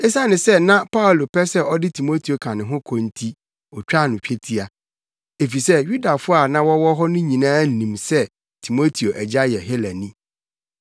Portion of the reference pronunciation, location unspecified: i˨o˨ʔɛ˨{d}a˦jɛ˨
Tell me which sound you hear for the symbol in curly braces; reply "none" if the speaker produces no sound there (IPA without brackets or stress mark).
d͡ʑ